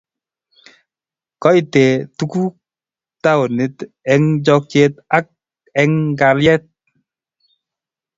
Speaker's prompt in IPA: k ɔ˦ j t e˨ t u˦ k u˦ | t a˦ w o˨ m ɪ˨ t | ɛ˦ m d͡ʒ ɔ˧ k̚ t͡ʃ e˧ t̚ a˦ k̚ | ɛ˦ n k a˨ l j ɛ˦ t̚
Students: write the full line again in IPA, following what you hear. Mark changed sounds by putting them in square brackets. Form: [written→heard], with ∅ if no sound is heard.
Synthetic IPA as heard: k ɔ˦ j t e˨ t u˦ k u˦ | t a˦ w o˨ [m→n] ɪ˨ t | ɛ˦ [m→ŋ] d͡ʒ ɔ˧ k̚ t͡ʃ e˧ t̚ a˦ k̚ | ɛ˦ [n→ŋ] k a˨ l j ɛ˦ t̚

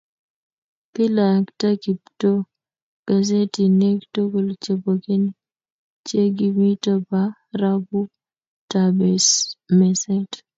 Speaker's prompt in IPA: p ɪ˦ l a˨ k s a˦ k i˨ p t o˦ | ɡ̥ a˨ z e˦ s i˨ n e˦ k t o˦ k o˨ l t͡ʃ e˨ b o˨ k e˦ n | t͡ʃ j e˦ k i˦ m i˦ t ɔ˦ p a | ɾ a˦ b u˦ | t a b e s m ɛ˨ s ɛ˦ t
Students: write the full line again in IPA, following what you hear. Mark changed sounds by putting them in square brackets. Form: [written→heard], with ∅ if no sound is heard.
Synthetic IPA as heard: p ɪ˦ l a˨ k [s→t] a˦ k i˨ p t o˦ | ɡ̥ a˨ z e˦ [s→t] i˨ n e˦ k t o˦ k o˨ l t͡ʃ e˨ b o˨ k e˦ n | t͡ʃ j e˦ [k→ɡ] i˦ m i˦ t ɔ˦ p a | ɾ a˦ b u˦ | t a b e s m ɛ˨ s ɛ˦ t

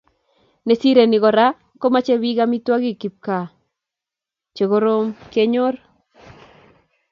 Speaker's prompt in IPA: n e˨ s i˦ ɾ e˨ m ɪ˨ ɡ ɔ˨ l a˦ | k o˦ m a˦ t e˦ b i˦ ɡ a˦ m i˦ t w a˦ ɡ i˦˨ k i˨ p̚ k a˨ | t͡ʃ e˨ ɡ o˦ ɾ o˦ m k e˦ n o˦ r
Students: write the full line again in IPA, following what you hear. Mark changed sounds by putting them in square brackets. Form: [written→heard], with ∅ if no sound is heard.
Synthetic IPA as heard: n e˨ s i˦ ɾ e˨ [m→n] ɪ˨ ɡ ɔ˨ [l→ɾ] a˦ | k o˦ m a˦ [t→t͡ʃ] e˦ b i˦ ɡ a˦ m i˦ t w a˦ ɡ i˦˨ k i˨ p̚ k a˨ | t͡ʃ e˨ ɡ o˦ ɾ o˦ m k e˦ [n→ɲ] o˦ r

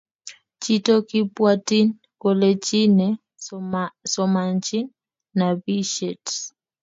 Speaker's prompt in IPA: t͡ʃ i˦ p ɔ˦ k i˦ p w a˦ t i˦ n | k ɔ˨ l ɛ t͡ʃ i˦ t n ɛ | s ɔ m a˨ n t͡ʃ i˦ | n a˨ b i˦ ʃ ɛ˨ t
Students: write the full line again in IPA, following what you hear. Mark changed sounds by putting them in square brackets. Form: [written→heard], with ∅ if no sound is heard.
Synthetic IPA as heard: t͡ʃ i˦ [p→t] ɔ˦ k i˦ p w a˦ t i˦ n | k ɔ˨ l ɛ t͡ʃ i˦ [t→∅] n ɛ | s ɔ m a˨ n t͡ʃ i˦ | n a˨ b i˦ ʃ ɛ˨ t

